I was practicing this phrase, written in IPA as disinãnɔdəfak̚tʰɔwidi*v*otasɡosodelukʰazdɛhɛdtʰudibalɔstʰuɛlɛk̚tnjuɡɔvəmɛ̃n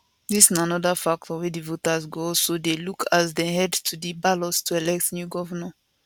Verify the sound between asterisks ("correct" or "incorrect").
correct